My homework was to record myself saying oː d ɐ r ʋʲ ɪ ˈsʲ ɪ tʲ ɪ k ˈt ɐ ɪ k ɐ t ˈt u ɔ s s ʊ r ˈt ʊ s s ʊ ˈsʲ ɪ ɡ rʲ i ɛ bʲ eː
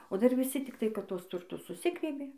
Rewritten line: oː d ɐ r ʋʲ ɪ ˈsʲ ɪ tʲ ɪ k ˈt ɐ ɪ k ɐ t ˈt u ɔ s t ʊ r ˈt ʊ s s ʊ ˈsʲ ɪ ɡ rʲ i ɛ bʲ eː